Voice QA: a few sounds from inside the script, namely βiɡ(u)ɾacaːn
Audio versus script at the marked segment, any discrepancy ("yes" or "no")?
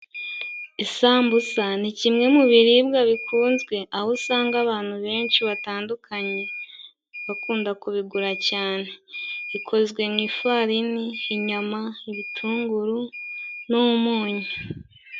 no